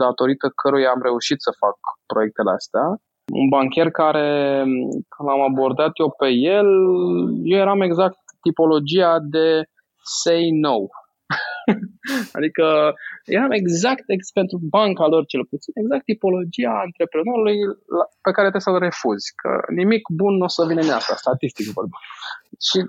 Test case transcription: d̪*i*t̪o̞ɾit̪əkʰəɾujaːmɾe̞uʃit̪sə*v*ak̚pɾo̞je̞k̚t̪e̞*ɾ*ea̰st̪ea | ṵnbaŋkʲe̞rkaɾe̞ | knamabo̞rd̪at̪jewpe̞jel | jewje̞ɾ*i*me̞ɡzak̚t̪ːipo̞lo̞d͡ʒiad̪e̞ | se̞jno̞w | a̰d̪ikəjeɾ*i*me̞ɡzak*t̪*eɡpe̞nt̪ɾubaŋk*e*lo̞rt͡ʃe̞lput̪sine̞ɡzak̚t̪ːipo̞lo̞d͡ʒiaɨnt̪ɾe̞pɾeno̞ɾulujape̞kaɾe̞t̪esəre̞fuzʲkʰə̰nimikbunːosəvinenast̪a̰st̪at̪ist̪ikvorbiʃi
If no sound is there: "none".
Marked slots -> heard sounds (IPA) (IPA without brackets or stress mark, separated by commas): a, f, l, a, a, t̪, a